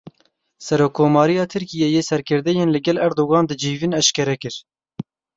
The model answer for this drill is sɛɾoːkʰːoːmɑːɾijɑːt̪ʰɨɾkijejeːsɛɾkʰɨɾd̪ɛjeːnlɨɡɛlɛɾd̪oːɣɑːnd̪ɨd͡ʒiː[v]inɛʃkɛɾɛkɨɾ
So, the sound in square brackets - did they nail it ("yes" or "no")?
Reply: yes